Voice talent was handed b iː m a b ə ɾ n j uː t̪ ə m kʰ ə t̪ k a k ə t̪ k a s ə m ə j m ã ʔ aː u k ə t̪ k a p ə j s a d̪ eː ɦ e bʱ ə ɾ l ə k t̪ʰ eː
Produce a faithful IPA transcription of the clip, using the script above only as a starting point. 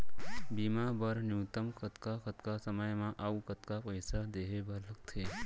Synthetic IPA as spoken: b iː m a b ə ɾ n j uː t̪ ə m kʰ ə t̪ k a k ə t̪ k a s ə m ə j m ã ʔ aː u k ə t̪ k a p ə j s a d̪ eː ɦ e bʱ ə ɾ l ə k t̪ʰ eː